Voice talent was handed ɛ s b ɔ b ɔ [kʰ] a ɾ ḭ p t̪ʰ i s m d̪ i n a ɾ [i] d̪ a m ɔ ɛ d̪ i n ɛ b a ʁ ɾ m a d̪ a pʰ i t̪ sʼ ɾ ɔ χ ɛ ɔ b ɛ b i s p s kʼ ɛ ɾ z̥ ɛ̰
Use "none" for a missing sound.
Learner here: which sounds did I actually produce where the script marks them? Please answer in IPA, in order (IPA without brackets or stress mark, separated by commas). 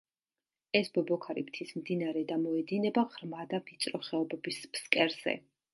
kʰ, ɛ